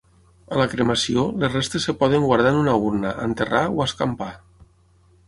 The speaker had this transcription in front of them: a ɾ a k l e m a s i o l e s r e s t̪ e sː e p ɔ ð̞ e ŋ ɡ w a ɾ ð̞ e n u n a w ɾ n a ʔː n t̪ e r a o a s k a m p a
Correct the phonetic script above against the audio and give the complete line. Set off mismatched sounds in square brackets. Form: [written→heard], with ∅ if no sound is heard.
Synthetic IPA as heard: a [ɾ→l] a k [l→ɾ] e m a s i o l e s r e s t̪ e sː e p ɔ ð̞ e ŋ ɡ w a ɾ ð̞ [e→a] n u n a [w→u] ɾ n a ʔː n t̪ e r a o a s k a m p a